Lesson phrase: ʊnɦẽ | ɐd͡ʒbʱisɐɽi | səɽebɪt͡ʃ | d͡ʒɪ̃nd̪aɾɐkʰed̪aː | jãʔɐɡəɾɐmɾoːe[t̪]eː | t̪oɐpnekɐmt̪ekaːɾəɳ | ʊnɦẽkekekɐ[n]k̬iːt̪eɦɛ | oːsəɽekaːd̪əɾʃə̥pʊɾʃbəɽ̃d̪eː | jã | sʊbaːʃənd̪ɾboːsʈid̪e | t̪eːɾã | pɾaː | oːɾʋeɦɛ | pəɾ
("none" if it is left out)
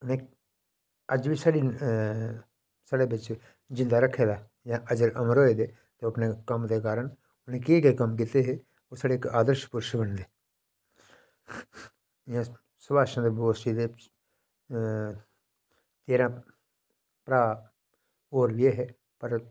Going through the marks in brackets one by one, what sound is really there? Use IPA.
d̪, m

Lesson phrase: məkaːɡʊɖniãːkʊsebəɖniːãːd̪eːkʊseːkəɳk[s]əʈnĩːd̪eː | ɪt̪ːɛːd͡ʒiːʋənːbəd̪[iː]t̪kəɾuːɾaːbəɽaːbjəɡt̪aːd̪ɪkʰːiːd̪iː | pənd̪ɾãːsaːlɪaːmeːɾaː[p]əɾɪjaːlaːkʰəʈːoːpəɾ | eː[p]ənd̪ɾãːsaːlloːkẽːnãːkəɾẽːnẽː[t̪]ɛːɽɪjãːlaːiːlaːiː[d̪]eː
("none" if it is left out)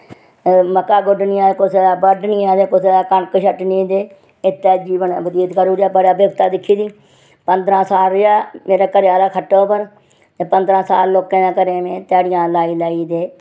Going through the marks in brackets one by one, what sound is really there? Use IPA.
ʃ, iː, k, p, t̪, d̪

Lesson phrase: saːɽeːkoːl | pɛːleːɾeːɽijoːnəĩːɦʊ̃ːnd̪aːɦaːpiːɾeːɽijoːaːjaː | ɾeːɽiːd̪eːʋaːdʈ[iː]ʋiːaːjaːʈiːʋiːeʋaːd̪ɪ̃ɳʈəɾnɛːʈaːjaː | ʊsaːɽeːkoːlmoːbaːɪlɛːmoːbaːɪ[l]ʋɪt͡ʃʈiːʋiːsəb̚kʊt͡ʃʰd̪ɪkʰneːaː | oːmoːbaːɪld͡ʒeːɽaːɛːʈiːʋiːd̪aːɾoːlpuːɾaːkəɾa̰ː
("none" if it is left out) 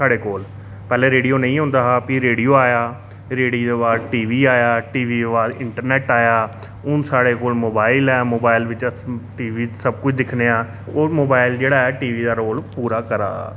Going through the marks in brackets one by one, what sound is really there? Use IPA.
iː, l

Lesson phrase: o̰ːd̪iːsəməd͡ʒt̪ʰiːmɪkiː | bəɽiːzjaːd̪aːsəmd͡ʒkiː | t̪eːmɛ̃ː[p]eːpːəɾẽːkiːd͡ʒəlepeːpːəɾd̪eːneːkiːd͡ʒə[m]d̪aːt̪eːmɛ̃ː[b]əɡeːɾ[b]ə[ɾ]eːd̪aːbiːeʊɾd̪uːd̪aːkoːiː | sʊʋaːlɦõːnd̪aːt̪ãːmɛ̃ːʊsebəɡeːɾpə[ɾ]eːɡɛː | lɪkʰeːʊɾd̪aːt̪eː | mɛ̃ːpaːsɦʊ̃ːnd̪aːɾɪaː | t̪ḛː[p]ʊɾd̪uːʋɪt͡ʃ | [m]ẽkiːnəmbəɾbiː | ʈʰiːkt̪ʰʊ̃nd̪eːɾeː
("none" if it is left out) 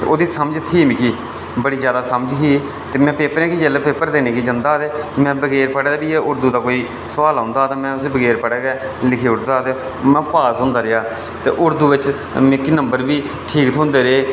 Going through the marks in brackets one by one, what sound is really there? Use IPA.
p, n, b, p, ɽ, ɽ, ʔ, m

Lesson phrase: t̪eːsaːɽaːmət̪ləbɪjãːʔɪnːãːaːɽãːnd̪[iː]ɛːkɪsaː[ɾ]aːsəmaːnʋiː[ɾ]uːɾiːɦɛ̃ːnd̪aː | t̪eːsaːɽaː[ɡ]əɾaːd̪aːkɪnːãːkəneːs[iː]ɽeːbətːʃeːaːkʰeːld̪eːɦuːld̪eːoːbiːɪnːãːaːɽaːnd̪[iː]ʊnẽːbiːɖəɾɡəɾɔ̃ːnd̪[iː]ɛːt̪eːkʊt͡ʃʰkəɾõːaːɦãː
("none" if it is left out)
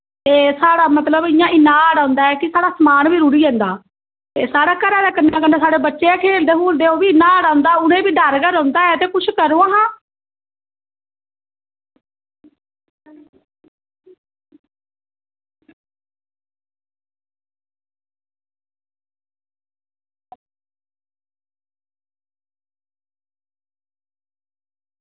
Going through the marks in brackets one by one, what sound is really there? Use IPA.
aː, ɽ, ɾ, k, aː, aː, aː

